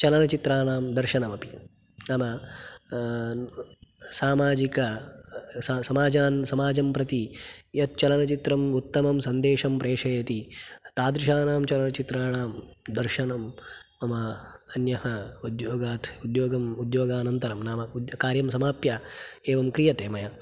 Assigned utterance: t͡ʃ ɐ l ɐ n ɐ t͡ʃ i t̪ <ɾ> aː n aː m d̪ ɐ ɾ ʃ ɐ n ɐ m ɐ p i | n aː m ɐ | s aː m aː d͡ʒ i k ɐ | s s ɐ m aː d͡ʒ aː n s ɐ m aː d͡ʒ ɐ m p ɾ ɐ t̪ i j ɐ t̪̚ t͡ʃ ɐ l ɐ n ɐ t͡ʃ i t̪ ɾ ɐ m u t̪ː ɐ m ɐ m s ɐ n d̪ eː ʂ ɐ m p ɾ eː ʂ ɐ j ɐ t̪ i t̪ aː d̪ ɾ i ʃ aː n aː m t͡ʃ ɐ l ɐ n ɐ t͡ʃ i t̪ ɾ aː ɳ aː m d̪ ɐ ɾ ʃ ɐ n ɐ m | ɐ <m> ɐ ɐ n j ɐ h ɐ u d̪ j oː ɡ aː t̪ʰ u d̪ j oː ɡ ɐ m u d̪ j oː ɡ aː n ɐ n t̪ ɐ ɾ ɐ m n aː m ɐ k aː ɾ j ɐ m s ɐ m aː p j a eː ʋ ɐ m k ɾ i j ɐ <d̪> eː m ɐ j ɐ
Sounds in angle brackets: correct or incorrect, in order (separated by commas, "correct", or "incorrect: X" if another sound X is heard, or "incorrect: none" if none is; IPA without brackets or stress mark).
correct, correct, incorrect: t̪